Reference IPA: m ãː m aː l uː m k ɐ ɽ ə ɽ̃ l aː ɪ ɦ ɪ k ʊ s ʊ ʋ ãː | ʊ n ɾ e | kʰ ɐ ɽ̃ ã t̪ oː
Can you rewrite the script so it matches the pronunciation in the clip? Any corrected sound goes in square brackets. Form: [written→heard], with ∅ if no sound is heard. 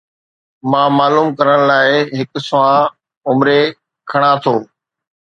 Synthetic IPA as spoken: m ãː m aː l uː m k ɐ [ɽ→ɾ] ə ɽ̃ l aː ɪ ɦ ɪ k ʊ s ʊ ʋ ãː | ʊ [n→m] ɾ e | kʰ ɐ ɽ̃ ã [t̪→t̪ʰ] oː